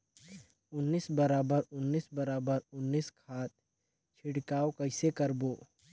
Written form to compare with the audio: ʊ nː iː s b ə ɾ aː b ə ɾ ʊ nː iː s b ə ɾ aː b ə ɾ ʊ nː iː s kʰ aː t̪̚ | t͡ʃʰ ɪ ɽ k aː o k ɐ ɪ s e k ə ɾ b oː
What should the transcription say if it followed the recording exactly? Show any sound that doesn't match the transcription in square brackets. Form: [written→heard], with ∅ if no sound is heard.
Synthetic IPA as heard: ʊ nː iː s b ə ɾ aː b ə ɾ ʊ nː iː s b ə ɾ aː b ə ɾ ʊ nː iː s kʰ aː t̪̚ | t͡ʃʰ ɪ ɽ k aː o k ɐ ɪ s e k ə ɾ b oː